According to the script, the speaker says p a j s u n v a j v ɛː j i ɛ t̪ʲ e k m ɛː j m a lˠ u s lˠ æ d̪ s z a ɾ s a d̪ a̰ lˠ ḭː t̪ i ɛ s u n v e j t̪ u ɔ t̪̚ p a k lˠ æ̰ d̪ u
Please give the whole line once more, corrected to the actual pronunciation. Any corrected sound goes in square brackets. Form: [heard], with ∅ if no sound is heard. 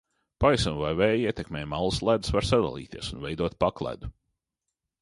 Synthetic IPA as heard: p a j s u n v a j v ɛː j i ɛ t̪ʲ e k m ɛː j m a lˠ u s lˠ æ d̪ s [v] a ɾ s a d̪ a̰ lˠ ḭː t̪ i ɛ s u n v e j [d̪] u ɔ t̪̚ p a k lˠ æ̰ d̪ u

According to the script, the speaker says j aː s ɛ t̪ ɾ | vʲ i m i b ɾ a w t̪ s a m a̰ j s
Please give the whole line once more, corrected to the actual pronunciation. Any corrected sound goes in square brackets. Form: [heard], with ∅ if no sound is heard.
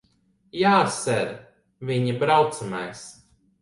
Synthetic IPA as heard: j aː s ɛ [∅] ɾ | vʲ i [ɲ] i b ɾ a w t̪ s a m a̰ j s

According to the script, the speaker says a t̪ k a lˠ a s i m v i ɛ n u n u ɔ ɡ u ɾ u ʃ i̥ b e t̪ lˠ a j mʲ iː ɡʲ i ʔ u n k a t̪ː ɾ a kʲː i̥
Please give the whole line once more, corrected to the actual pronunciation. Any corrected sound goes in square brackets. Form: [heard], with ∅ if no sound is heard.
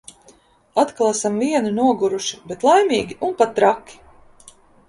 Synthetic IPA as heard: a t̪ k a lˠ a s [a] m v i ɛ n u n u ɔ ɡ u ɾ u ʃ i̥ b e t̪ lˠ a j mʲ iː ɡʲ i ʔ u n [p] a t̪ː ɾ a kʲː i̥

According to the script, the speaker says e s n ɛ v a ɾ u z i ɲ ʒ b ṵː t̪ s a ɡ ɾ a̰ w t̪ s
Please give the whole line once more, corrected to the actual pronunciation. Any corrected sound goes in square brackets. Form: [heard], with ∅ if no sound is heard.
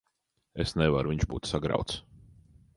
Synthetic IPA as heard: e s n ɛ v a ɾ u [v] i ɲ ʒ b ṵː t̪ s a ɡ ɾ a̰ w t̪ s

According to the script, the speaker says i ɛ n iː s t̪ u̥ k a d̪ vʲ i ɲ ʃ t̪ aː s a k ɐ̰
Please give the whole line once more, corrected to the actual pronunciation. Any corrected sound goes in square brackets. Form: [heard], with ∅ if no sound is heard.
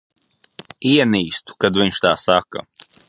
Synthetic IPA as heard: i ɛ n iː s t̪ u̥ k a d̪ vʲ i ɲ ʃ t̪ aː s a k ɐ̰

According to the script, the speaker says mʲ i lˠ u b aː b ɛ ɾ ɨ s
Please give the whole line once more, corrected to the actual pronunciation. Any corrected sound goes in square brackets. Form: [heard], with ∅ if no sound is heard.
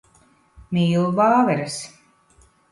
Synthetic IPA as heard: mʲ [iː] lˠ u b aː [v] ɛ ɾ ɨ s

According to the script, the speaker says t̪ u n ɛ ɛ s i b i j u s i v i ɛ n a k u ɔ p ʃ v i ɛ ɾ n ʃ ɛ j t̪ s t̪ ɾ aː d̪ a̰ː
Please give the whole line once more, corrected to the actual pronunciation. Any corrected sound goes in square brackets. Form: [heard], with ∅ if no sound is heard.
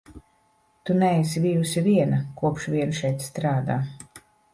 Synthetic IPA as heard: t̪ u n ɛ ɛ s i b i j u s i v i ɛ n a k u ɔ p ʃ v i ɛ [∅] n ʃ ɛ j t̪ s t̪ ɾ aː d̪ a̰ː

